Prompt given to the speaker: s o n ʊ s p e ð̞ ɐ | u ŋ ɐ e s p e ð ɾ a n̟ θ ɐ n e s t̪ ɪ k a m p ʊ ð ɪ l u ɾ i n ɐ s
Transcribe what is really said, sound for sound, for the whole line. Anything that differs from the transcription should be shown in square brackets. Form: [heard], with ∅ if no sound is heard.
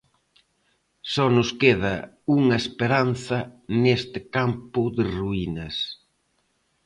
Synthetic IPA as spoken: s [ɔ] n ʊ s [k] e ð̞ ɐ | u ŋ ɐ e s p e [∅] ɾ a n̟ θ ɐ n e s t̪ ɪ k a m p ʊ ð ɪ [r] u [∅] i n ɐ s